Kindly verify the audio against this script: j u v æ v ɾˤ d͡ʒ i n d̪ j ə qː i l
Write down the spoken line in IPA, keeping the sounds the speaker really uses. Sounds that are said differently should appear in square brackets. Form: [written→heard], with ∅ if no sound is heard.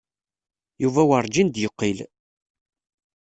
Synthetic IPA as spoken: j u v æ [v→w] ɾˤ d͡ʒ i n d̪ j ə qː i l